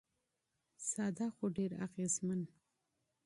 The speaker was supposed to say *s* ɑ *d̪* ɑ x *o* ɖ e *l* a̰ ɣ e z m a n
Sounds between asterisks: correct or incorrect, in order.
correct, correct, correct, incorrect

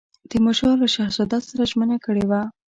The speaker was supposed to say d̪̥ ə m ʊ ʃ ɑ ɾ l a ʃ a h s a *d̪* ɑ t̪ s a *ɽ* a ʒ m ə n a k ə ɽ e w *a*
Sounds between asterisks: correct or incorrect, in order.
correct, incorrect, correct

